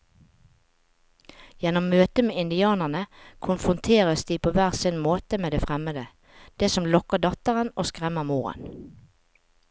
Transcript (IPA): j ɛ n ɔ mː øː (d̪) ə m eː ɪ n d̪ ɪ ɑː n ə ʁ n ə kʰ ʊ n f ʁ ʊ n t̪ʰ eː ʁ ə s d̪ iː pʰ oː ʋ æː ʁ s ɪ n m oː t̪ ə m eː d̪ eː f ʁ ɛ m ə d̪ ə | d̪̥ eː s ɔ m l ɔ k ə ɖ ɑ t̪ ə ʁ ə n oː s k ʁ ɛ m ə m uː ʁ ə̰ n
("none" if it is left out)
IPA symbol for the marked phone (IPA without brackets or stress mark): t̪